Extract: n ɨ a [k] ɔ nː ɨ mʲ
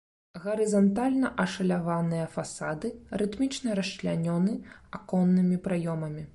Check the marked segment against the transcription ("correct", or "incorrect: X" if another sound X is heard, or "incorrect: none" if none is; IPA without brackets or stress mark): correct